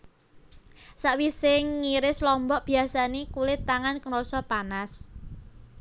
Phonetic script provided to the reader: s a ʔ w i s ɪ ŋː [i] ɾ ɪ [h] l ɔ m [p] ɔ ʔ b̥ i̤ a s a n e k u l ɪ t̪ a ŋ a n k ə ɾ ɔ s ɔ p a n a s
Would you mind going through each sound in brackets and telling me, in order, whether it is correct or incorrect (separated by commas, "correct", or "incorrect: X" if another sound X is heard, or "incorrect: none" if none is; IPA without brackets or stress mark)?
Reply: correct, incorrect: s, incorrect: b